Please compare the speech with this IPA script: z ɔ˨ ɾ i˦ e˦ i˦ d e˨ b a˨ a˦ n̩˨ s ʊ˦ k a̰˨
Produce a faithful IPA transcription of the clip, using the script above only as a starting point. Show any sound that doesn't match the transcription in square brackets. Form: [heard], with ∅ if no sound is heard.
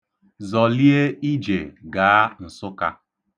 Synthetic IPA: z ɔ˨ [l] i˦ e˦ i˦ [d͡ʒ] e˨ [ɡ] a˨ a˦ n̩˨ s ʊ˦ k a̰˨